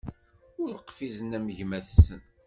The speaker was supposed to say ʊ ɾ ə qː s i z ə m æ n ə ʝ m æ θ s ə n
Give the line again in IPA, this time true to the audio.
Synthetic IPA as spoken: ʊ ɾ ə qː f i z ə n æ m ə ʝ m æ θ s ə n